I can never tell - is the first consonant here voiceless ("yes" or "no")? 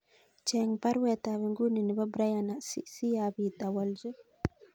yes